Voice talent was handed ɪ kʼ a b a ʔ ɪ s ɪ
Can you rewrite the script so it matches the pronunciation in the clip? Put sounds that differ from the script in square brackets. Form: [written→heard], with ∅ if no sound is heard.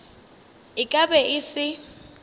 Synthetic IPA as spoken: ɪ kʼ a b [a→ɛ] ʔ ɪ s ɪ